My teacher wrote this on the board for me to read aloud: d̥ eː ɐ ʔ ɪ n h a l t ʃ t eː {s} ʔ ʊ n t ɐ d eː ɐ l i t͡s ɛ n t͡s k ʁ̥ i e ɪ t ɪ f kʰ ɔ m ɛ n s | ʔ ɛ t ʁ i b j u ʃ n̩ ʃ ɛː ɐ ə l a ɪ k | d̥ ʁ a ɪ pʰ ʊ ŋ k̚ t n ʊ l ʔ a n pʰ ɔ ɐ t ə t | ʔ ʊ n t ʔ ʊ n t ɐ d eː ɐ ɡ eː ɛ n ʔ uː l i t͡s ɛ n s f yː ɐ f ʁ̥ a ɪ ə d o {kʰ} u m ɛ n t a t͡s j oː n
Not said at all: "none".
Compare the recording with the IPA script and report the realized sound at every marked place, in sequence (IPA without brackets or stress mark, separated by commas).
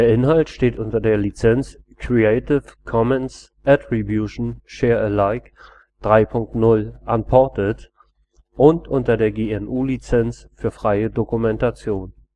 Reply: t, k